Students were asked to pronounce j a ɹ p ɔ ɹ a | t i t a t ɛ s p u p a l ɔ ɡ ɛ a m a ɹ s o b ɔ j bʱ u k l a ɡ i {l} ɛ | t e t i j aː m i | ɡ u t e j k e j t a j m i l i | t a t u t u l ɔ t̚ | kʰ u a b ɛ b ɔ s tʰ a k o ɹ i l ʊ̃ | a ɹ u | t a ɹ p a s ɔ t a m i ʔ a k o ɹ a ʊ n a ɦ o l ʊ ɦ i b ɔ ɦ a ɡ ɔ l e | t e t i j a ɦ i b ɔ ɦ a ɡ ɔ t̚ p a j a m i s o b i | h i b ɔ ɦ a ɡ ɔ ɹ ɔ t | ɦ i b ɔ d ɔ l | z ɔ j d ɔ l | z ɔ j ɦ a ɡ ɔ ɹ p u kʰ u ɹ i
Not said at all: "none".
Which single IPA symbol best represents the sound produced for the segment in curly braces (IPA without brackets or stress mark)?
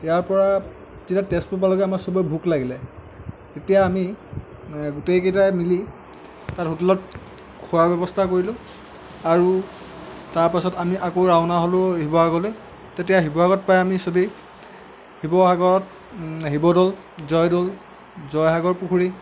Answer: l